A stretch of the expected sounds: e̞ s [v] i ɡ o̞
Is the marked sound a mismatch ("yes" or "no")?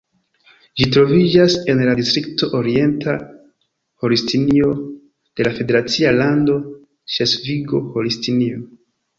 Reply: no